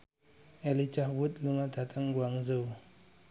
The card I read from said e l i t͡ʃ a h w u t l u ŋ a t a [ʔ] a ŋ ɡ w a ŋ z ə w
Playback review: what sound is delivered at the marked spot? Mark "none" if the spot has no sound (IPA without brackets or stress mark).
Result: t